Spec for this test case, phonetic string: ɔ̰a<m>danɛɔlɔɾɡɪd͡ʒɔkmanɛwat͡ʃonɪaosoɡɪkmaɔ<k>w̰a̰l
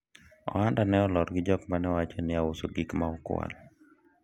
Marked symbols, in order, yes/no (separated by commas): no, yes